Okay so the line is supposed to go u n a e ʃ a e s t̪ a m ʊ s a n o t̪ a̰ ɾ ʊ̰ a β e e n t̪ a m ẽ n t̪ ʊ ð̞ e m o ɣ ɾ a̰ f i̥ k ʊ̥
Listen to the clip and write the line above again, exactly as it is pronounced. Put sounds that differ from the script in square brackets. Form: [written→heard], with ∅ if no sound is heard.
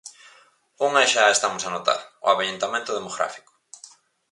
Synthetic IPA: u [n→ŋ] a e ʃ a e s t̪ a m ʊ s a n o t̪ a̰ ɾ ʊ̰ a β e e n t̪ a m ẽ n t̪ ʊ ð̞ e m o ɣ ɾ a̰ f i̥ k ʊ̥

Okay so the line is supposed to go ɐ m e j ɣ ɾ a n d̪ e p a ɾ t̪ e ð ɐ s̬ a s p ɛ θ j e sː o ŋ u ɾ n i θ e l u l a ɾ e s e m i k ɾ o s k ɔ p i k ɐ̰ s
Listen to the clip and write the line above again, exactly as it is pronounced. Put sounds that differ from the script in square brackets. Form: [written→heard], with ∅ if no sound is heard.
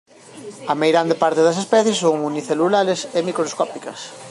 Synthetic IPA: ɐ m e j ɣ ɾ a n d̪ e p a ɾ t̪ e ð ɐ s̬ [a→e] s p ɛ θ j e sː o ŋ u [ɾ→∅] n i θ e l u l a ɾ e s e m i k ɾ o s k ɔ p i k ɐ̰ s

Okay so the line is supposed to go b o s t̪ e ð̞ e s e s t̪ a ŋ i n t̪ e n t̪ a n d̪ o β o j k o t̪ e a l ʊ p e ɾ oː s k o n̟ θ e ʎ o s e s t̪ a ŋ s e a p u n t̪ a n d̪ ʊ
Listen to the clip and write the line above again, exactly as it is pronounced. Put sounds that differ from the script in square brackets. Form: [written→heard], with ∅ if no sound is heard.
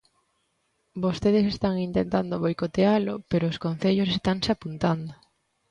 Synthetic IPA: b o s t̪ e ð̞ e s e s t̪ a ŋ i n t̪ e n t̪ a n d̪ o β o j k o t̪ e a l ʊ p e ɾ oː s k o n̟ θ e ʎ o s e s t̪ a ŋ s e a p u n t̪ a n d̪ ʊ

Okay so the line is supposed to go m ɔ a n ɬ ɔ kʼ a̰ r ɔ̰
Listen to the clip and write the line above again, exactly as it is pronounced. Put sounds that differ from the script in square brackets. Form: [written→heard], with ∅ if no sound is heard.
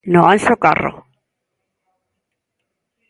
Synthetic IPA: [m→n] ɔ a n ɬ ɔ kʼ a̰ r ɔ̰

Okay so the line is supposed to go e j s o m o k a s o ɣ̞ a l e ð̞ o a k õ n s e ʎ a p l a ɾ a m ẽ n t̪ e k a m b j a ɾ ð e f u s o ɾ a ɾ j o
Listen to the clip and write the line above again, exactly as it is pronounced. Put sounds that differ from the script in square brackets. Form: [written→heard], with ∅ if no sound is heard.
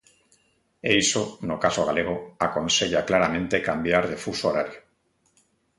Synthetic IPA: e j s o [m→n] o k a s o ɣ̞ a l e [ð̞→ɣ̞] o a k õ n s e ʎ a [p→k] l a ɾ a m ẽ n t̪ e k a m b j a ɾ ð e f u s o ɾ a ɾ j o

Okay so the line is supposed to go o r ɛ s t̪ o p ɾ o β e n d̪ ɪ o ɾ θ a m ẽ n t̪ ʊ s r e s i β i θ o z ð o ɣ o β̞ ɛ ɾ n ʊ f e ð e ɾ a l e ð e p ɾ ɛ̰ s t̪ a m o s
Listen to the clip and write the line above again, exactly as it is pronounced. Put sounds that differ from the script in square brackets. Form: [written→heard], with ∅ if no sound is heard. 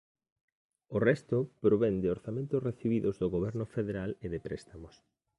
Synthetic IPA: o r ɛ s t̪ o p ɾ o β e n d̪ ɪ o ɾ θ a m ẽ n t̪ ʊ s r e [s→θ] i β i [θ→ð] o z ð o ɣ o β̞ ɛ ɾ n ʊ f e ð e ɾ a l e ð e p ɾ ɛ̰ s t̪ a m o s

